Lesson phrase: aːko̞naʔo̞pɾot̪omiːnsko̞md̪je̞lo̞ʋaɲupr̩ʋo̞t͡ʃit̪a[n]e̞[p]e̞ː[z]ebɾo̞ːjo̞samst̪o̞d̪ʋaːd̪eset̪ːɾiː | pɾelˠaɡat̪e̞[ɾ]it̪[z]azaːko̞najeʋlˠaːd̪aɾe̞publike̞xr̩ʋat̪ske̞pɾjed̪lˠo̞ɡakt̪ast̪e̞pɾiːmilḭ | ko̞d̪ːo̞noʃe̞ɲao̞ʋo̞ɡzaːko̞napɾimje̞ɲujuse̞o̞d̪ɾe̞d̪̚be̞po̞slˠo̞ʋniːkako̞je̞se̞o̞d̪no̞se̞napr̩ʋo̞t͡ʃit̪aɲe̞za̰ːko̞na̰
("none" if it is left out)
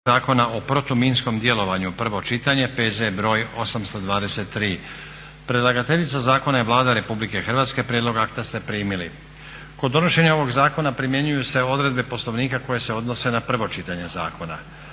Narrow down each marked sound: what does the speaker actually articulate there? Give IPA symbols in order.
ɲ, p, z, ʎ, s

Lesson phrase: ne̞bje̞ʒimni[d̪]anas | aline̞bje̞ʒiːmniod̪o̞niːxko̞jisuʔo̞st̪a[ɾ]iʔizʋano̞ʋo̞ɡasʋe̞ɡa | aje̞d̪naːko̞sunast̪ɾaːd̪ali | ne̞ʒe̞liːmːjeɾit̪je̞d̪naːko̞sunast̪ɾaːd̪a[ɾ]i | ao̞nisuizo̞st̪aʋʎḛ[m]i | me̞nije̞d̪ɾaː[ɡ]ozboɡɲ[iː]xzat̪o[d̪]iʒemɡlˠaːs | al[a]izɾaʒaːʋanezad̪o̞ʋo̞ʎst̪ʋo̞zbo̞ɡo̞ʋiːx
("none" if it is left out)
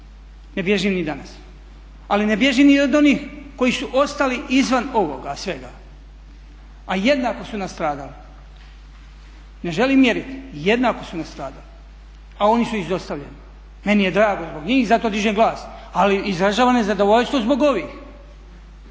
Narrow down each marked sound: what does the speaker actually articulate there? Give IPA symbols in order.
d̪, l, l, n, ɡ, iː, d̪, i

